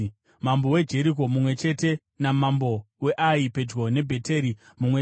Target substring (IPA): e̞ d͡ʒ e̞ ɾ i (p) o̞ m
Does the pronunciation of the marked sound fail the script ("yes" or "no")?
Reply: yes